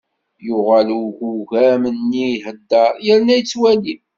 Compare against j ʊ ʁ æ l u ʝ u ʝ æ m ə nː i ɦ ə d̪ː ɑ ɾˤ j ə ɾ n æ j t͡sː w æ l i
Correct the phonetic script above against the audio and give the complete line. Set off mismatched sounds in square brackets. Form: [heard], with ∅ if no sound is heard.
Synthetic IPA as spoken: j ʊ ʁ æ l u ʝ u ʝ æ m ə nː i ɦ ə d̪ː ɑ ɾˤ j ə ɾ n æ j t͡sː w æ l i